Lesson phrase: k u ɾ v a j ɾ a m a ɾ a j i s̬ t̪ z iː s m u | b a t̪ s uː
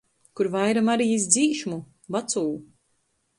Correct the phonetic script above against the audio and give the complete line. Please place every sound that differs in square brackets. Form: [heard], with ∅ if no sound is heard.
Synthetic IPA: k u ɾ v a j ɾ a m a ɾ [i] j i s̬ [d̪] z iː [ʃ] m u | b a t̪ s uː